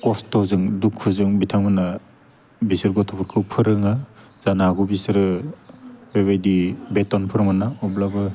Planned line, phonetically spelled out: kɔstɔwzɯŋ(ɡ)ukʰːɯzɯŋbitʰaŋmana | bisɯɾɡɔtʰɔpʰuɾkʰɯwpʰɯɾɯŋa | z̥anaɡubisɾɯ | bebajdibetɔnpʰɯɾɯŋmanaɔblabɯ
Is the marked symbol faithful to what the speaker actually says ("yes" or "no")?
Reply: no